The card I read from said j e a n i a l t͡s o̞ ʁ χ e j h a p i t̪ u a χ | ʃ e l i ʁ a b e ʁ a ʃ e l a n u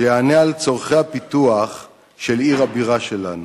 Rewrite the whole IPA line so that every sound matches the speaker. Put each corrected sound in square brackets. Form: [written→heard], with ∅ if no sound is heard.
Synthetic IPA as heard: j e a n [i→e] a l t͡s o̞ ʁ χ e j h a p i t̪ u a χ | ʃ e l i ʁ a b [e→i] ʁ a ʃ e l a n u